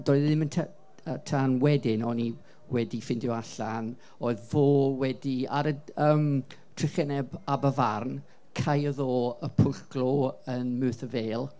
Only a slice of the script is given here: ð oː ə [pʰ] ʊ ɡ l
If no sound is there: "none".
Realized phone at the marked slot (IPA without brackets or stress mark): pʰ